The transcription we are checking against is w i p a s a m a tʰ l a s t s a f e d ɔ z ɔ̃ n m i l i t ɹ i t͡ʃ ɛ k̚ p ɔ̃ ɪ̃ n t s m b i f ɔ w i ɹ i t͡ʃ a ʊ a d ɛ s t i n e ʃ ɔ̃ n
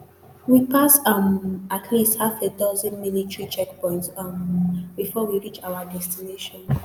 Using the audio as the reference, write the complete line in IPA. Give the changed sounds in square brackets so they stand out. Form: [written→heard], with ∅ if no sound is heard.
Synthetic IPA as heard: w i p a s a m a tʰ l [a→i] s t [s→h] a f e d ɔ z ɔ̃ n m i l i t ɹ i t͡ʃ ɛ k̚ p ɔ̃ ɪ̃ n t s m b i f ɔ w i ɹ i t͡ʃ a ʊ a d ɛ s t i n e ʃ ɔ̃ n